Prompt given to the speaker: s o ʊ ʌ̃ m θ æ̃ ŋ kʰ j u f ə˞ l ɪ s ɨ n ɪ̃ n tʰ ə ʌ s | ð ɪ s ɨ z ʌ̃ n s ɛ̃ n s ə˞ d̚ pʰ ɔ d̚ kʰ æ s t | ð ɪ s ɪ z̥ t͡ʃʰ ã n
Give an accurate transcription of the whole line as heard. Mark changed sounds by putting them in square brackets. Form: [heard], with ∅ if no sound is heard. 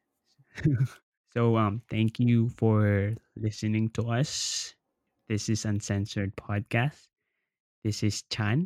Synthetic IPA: s o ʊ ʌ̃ m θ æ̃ ŋ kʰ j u f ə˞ l ɪ s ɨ n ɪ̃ [ŋ] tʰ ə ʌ s | ð ɪ s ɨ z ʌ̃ n s ɛ̃ n s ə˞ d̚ pʰ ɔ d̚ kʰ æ s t | ð ɪ s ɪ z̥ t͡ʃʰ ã n